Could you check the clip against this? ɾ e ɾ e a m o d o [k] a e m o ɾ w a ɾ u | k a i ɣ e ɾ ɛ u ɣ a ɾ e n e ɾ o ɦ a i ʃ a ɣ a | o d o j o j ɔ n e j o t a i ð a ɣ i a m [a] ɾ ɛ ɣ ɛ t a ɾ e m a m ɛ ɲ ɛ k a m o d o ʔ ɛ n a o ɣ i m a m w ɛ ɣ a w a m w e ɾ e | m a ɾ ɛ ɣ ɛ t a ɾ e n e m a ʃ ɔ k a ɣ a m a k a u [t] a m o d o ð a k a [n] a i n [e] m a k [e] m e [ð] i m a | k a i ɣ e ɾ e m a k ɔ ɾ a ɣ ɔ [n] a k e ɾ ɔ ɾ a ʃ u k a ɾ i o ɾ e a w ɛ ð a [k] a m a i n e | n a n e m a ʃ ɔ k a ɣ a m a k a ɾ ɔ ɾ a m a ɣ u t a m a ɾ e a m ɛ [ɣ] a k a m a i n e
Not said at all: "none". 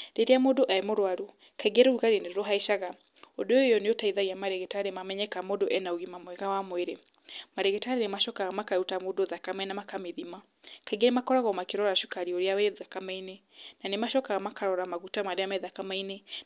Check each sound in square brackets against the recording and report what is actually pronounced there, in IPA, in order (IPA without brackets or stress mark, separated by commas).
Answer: ʔ, a, t, m, a, a, ð, m, k, ð